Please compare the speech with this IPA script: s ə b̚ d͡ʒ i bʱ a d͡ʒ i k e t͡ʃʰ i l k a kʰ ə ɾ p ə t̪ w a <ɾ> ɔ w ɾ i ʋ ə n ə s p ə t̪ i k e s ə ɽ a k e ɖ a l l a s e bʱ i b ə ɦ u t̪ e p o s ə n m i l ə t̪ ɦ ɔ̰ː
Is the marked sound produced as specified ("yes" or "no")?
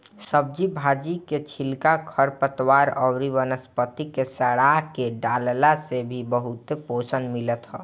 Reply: yes